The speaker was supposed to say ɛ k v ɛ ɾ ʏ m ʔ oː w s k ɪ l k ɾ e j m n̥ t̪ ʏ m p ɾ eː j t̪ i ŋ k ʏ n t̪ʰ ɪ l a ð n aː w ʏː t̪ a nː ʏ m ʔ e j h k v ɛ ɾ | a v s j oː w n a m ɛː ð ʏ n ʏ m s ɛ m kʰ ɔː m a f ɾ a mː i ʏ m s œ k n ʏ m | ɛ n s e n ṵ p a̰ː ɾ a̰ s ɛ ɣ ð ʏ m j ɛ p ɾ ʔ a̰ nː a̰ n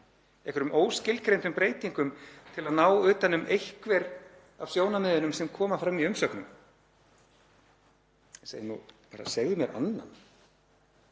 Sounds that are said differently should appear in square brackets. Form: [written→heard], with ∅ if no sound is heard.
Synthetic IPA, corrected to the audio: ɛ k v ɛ ɾ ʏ m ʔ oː w s [k→c] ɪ l k ɾ e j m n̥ t̪ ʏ m p ɾ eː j t̪ i ŋ k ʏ [n→m] t̪ʰ ɪ l a ð n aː w ʏː t̪ a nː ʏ m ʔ e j h k v ɛ ɾ | a v s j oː w n a m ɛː ð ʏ n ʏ m s ɛ m kʰ ɔː m a f ɾ a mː i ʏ m s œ k n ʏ m | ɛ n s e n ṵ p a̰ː ɾ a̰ s ɛ ɣ ð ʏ m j ɛ [p→∅] ɾ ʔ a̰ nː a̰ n

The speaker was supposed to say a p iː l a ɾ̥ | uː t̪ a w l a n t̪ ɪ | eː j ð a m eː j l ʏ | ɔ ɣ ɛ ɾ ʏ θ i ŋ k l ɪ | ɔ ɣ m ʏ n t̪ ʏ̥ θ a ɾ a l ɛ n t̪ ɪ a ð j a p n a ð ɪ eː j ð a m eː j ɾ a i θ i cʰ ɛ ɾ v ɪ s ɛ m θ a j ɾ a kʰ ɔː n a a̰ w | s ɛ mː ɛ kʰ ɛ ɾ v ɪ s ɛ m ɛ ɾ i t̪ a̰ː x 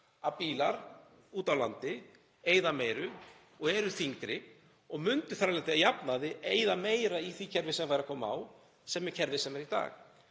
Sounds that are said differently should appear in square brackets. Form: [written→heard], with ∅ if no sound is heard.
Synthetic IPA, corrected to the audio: a p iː l a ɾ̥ | uː t̪ a w l a n t̪ ɪ | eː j ð a m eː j [l→ɾ] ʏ | ɔ ɣ ɛ ɾ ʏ θ i ŋ k [l→ɾ] ɪ | ɔ ɣ m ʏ n t̪ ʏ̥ θ a ɾ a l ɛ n t̪ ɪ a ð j a p n a ð ɪ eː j ð a m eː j ɾ a i θ i cʰ ɛ ɾ v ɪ s ɛ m [θ→f] a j ɾ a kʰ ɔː [n→m] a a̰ w | s ɛ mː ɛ [kʰ→cʰ] ɛ ɾ v ɪ s ɛ m ɛ ɾ i t̪ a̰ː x

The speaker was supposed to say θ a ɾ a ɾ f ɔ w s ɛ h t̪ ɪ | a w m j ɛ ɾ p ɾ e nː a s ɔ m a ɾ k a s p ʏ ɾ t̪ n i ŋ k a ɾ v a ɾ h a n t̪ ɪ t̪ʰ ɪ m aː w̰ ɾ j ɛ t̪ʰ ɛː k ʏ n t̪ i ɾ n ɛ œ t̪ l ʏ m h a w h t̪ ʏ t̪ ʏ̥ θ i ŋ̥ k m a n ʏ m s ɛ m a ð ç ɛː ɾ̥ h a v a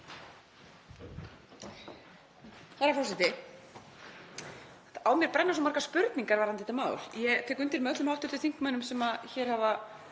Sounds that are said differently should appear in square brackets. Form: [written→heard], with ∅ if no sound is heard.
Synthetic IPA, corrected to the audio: θ a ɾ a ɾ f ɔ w s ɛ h t̪ ɪ | a w m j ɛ ɾ p ɾ [e→ɛ] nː a s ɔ m a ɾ k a s p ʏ ɾ t̪ n i ŋ k a ɾ v a ɾ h a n t̪ ɪ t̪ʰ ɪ m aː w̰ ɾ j ɛ t̪ʰ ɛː k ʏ n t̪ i ɾ [n→m] ɛ œ t̪ l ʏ m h a w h t̪ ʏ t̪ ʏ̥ θ i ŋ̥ k m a n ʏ m s ɛ m a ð ç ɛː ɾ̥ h a v a

